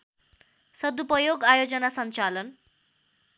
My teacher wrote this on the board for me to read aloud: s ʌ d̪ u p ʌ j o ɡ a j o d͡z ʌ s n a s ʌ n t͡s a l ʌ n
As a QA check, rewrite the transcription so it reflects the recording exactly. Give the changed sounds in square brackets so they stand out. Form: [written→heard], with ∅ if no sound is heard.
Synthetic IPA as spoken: s ʌ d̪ u p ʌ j o ɡ a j o d͡z ʌ [s→∅] n a s ʌ n t͡s a l ʌ n